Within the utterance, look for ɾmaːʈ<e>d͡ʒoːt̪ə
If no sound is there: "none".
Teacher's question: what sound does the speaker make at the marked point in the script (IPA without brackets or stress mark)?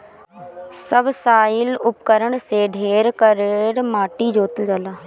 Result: i